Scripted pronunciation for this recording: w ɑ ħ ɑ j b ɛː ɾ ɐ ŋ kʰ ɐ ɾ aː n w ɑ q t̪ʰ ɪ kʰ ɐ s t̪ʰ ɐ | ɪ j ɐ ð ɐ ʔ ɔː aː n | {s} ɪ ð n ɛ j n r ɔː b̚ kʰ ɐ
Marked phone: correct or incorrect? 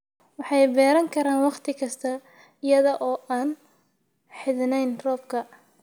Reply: incorrect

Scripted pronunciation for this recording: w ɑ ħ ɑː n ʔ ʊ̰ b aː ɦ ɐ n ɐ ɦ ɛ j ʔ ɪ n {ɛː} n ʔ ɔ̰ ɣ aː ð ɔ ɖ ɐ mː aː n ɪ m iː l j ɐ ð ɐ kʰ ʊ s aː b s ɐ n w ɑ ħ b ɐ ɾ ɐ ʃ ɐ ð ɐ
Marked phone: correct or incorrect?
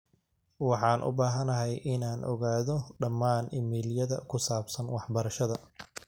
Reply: incorrect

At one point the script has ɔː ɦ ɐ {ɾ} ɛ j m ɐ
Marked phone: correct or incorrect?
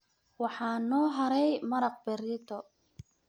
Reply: correct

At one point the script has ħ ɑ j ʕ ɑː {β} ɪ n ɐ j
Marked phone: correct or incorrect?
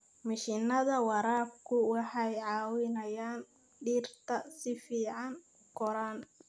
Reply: incorrect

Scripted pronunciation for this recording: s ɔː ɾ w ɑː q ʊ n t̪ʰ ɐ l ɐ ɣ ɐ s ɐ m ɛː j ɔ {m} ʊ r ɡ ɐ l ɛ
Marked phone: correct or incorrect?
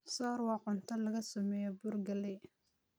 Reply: incorrect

